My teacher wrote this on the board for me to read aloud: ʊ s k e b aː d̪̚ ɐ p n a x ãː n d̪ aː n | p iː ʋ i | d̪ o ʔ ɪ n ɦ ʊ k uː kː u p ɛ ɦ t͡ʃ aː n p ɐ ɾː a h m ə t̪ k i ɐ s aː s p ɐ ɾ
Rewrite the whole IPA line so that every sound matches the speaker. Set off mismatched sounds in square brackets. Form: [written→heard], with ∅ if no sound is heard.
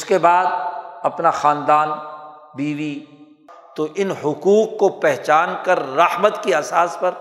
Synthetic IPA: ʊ s k e b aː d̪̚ ɐ p n a x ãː n d̪ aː n | [p→b] iː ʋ i | [d̪→t̪] o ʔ ɪ n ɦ ʊ k uː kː [u→o] p ɛ ɦ t͡ʃ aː n [p→k] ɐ ɾː [a→ɐ] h m ə t̪ k i ɐ s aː s p ɐ ɾ